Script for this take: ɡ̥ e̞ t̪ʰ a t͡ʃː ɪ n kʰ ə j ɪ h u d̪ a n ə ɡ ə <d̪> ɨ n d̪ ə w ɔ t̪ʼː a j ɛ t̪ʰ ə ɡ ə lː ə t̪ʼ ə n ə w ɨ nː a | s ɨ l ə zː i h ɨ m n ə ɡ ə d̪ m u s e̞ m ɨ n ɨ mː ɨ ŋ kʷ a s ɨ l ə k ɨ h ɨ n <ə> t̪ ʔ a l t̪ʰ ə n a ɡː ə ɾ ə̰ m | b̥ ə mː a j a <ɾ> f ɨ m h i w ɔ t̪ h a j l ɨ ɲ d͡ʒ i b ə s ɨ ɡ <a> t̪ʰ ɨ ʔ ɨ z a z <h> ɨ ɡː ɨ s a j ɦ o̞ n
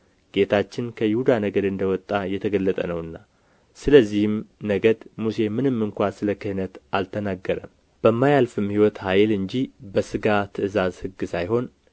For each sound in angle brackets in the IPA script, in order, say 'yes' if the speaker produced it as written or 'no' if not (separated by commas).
yes, yes, no, yes, yes